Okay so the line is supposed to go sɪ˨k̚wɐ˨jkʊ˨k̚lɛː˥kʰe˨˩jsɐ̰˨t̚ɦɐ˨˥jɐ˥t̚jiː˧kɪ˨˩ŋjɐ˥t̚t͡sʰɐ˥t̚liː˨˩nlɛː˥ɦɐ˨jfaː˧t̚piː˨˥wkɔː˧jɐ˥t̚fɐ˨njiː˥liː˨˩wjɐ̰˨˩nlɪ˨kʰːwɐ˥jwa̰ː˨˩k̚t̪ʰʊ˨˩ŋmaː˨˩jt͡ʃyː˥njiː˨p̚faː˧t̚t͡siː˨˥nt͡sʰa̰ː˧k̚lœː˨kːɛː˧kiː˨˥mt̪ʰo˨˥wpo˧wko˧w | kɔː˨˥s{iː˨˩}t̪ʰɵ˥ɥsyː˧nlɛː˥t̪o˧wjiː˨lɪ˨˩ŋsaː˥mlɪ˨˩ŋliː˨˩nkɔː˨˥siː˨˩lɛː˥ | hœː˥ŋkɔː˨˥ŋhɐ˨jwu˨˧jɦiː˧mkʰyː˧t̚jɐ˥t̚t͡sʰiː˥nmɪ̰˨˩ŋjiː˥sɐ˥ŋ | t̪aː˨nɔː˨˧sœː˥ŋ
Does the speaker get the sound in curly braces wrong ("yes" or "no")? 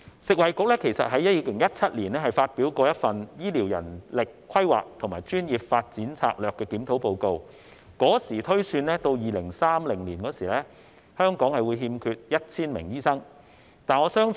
no